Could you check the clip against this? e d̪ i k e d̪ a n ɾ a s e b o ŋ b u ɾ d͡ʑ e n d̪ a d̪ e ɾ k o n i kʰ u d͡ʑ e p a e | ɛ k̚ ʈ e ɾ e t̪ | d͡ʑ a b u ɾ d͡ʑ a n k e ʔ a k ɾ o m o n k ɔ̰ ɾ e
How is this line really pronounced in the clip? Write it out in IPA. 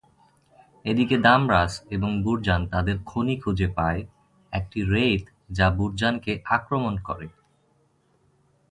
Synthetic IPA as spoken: e d̪ i k e d̪ a m ɾ a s e b o ŋ b u ɾ d͡ʑ a n t̪ a d̪ e ɾ kʰ o n i kʰ u d͡ʑ e p a e | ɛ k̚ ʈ i ɾ e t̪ | d͡ʑ a b u ɾ d͡ʑ a n k e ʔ a k ɾ o m o n k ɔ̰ ɾ e